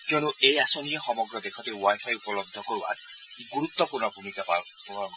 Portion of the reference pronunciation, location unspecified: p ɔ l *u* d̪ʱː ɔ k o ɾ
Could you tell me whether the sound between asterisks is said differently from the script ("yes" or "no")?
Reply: yes